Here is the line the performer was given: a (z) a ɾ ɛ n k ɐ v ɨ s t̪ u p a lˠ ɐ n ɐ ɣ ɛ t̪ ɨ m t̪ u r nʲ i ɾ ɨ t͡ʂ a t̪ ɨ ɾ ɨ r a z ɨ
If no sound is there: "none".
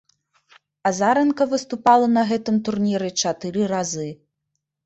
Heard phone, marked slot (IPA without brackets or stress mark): z